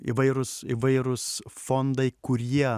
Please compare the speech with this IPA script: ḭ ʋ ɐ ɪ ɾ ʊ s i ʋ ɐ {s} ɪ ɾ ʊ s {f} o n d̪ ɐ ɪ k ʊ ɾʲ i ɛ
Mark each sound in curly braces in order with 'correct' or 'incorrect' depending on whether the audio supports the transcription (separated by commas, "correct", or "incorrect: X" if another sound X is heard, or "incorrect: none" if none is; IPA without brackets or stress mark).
incorrect: none, correct